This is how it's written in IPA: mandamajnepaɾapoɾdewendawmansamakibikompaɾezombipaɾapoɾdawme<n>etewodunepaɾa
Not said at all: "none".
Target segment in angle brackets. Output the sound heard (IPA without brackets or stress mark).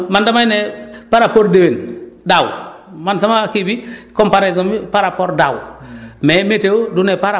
m